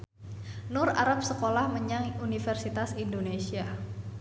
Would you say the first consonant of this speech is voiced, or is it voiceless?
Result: voiced